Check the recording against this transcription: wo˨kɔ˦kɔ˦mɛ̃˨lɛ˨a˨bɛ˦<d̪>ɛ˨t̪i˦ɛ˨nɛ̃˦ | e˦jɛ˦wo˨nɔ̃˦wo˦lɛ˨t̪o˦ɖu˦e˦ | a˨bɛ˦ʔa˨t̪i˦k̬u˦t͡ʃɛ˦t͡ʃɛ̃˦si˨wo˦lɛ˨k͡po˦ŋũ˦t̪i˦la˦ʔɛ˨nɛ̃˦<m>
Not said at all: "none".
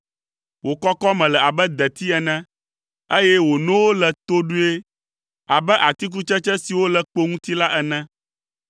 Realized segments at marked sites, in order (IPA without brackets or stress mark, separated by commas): d̪, none